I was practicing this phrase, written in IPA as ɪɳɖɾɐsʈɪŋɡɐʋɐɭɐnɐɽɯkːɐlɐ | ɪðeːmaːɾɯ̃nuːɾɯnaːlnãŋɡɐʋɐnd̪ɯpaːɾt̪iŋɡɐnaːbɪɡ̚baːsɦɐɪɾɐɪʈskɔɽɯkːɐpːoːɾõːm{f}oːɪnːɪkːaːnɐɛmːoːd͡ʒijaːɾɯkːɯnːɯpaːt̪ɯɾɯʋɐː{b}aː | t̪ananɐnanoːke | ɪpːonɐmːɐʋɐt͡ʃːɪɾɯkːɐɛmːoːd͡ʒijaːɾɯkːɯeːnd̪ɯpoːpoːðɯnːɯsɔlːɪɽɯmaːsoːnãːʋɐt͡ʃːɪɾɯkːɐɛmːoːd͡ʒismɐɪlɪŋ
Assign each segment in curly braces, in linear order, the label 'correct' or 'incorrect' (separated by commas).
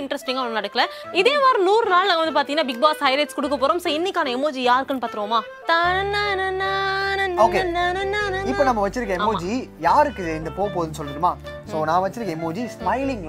incorrect, incorrect